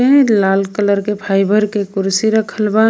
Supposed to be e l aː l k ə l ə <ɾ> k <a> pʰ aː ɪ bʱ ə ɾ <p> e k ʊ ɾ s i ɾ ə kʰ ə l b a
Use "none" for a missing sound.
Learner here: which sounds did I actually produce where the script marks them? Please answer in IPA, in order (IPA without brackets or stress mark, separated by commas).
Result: ɾ, e, k